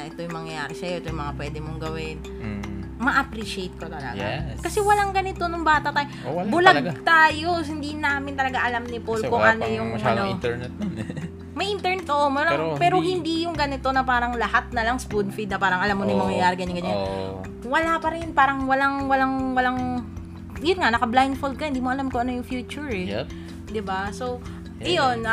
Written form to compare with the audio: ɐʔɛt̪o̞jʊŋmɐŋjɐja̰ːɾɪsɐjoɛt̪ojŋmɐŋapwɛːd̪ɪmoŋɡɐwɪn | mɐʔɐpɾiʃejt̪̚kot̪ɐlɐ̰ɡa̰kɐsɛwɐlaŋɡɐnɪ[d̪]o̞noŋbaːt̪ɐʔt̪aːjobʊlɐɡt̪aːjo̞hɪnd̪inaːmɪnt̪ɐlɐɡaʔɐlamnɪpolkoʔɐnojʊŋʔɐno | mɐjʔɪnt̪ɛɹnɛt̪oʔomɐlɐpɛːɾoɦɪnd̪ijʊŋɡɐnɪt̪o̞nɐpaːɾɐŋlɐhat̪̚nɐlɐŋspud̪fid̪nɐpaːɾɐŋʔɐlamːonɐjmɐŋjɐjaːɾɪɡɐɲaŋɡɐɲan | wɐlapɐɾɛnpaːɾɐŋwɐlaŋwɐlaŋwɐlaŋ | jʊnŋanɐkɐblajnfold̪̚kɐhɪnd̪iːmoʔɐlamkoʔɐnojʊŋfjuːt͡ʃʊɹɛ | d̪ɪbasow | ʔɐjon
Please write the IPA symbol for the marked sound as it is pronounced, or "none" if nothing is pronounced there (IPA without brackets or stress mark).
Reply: t̪